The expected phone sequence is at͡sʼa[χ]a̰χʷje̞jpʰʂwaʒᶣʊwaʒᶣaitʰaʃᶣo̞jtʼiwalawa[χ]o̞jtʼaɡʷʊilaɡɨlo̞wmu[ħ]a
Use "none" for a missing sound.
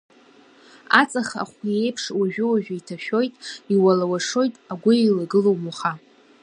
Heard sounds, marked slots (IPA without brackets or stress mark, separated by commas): χ, ʂ, χ